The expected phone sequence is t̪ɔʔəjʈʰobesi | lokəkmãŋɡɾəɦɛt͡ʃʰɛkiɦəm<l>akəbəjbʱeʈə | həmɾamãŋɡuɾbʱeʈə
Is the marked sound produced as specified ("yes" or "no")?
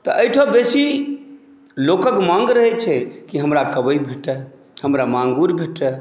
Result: no